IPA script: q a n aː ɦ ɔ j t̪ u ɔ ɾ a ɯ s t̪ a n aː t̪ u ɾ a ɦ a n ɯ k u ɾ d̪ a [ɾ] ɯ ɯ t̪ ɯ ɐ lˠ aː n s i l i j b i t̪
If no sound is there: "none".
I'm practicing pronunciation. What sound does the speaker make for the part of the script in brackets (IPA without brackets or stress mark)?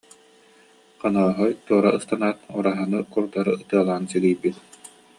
ɾ